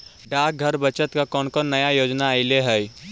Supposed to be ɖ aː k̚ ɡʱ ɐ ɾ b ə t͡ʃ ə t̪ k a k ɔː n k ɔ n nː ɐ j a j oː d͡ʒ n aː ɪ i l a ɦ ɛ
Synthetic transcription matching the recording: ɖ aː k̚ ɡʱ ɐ ɾ b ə t͡ʃ ə t̪ k a k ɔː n k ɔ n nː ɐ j a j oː d͡ʒ n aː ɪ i l e ɦ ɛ